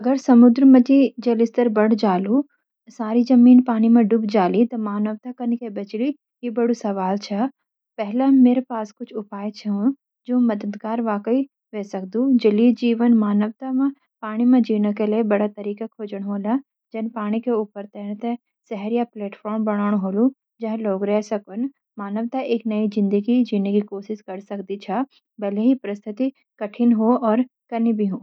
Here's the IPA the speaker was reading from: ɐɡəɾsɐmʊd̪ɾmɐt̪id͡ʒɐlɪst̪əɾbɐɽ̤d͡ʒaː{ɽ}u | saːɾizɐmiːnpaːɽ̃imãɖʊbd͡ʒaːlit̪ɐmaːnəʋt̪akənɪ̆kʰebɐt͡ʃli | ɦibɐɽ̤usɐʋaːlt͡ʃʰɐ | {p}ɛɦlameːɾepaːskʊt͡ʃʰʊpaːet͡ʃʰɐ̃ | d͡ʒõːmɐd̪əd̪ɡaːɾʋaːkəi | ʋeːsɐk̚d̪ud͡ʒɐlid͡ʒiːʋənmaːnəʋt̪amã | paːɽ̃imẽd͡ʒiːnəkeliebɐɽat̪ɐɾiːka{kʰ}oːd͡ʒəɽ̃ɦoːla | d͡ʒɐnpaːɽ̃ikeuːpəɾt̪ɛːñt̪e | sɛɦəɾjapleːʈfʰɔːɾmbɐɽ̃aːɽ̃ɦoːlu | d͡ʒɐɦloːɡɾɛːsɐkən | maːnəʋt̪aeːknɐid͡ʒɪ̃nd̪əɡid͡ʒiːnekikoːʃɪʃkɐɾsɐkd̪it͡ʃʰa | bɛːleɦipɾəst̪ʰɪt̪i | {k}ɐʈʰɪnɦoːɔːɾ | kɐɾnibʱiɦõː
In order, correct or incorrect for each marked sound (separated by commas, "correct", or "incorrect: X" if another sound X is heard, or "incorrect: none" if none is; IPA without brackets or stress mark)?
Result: incorrect: l, correct, correct, correct